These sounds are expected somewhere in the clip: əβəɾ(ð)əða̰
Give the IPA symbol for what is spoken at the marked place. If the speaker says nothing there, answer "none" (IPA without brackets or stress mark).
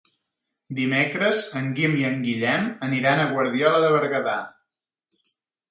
ɣ